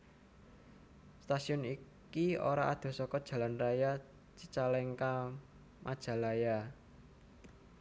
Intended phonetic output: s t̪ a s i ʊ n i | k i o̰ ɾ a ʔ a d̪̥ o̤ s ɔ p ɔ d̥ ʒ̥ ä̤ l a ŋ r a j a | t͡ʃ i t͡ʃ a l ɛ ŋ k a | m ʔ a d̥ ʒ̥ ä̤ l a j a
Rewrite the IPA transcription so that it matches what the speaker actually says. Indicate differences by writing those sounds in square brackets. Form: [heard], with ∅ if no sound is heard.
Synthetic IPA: s t̪ a s i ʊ n i | k i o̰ ɾ a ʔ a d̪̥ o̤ s ɔ [k] ɔ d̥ ʒ̥ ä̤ l a [n] r a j a | t͡ʃ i t͡ʃ a l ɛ ŋ k a | m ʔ a d̥ ʒ̥ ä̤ l a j a

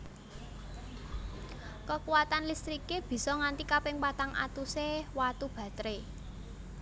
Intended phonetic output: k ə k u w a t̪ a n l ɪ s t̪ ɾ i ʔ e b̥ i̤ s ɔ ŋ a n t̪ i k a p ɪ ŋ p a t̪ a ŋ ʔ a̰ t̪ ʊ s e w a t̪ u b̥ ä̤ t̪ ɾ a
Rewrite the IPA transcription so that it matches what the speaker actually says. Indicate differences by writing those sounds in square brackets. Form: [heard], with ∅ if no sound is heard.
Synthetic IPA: k ə k u w a t̪ a n l [i] s t̪ ɾ i [k] e b̥ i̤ s ɔ ŋ a n t̪ i k a p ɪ ŋ p a t̪ a ŋ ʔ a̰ t̪ [u] s e w a t̪ u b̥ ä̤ t̪ ɾ [e]

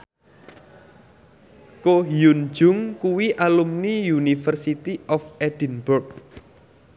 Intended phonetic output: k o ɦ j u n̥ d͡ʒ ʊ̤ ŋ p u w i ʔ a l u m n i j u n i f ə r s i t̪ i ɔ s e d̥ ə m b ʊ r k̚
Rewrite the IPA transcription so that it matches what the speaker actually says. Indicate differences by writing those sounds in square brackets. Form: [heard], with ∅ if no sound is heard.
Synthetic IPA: k o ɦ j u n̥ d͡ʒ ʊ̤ ŋ [k] u w i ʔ a l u m n i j u n i f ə r s i t̪ i ɔ [f] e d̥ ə [n] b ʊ r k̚

